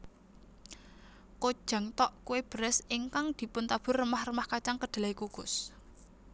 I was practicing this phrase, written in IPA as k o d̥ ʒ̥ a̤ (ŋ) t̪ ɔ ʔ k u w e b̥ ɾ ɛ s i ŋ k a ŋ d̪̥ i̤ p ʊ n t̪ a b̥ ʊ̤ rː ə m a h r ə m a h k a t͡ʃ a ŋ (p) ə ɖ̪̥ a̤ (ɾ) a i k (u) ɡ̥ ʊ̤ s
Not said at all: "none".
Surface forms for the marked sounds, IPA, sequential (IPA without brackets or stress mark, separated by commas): ŋ, k, l, u